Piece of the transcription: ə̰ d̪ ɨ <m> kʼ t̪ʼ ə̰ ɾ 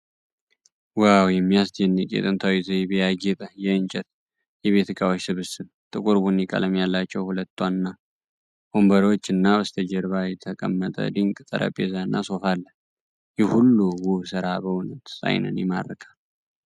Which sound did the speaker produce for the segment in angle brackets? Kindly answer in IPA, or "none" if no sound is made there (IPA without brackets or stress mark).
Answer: ŋ